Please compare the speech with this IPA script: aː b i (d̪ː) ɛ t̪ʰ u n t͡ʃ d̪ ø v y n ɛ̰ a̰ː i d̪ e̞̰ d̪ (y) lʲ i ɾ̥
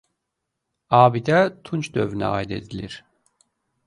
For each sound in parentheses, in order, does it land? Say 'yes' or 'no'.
no, no

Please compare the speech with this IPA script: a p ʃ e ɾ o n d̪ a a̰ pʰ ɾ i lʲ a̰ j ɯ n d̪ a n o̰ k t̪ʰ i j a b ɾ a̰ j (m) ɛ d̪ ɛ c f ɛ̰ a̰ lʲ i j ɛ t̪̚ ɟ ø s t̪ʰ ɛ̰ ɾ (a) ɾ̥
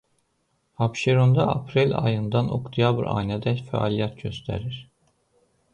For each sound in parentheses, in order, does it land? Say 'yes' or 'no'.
no, no

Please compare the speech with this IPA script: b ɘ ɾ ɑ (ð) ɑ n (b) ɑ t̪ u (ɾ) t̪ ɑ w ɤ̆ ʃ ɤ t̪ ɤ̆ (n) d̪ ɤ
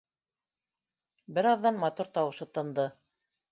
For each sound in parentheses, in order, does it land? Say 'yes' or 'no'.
no, no, yes, yes

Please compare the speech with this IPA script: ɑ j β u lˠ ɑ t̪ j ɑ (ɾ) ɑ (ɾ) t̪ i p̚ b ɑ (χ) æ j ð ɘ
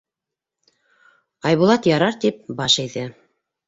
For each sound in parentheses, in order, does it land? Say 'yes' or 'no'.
yes, yes, no

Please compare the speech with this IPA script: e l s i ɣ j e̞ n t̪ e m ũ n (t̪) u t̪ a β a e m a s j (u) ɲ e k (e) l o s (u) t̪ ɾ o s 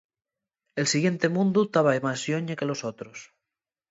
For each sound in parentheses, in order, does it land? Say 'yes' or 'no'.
no, no, yes, no

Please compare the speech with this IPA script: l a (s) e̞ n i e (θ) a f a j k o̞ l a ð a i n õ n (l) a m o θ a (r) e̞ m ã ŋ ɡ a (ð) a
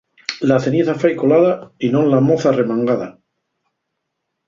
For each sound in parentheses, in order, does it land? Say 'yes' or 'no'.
no, yes, yes, yes, yes

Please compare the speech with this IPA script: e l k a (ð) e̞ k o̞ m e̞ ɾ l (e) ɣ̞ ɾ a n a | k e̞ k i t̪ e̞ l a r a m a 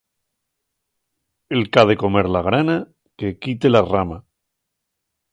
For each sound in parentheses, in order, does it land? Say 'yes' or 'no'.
yes, no

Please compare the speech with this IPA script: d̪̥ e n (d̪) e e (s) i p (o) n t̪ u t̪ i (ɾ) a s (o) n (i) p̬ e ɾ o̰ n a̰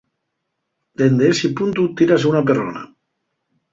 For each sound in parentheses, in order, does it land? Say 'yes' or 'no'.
yes, yes, no, yes, no, no

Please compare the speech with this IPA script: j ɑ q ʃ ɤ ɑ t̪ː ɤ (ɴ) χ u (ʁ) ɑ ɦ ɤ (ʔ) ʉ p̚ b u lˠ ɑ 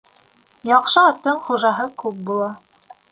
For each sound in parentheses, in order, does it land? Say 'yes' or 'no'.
yes, no, no

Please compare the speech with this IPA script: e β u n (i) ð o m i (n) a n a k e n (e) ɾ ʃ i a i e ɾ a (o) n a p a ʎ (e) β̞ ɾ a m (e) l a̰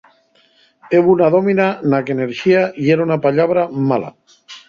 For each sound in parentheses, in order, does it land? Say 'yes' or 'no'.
no, yes, yes, no, no, no

